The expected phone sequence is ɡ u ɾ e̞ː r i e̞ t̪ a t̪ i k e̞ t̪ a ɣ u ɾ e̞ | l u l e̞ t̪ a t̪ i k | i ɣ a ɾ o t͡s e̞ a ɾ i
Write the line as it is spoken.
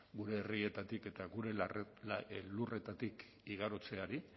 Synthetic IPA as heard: ɡ u ɾ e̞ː r i e̞ t̪ a t̪ i k e̞ t̪ a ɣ u ɾ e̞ | l u r e̞ t̪ a t̪ i k | i ɣ a ɾ o t͡s e̞ a ɾ i